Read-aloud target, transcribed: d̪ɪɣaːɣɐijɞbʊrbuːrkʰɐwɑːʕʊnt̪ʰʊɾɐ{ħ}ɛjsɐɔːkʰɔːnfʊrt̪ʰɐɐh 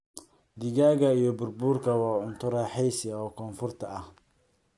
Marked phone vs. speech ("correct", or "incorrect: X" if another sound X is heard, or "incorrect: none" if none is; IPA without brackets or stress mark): correct